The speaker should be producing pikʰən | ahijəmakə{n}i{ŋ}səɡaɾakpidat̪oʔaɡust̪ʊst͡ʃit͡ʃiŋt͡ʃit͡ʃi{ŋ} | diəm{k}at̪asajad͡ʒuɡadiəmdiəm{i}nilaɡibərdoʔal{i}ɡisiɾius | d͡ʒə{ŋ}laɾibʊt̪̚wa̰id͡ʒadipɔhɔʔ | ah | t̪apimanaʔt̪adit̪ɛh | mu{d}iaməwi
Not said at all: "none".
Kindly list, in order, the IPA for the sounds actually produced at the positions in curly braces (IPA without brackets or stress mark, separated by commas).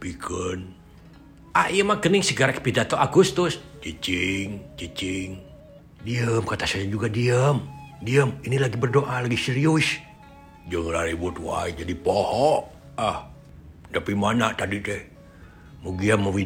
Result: n, ŋ, ŋ, k, i, a, ŋ, ɡ